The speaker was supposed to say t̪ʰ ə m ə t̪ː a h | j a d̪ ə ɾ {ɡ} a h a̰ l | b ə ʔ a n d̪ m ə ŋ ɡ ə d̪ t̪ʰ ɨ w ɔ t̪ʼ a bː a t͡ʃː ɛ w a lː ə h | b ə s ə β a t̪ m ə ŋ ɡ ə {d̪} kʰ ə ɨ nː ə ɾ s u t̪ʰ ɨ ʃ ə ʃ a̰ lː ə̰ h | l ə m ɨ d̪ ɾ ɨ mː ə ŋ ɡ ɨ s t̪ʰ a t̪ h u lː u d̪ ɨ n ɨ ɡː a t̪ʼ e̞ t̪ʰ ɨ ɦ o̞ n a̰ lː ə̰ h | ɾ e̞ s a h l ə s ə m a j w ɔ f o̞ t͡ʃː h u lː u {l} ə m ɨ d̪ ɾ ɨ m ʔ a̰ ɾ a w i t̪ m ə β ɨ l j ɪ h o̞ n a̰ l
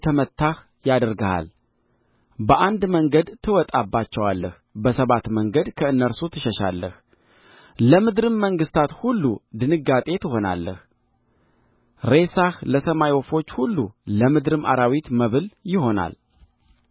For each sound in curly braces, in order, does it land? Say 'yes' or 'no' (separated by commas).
yes, yes, yes